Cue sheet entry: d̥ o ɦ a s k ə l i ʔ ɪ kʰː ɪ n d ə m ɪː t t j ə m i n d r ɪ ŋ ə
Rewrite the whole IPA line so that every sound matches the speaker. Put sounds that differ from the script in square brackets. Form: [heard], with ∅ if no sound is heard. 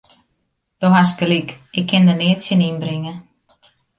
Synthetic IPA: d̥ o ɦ a s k ə l i [k] ɪ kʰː ɪ n d ə [n] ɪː t [s] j ə [n] i n [b] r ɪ ŋ ə